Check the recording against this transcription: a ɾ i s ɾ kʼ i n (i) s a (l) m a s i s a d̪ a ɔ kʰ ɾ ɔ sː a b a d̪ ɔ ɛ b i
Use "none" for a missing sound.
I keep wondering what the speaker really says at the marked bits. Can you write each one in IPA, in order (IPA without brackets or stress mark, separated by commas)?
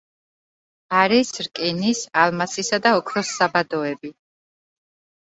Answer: i, l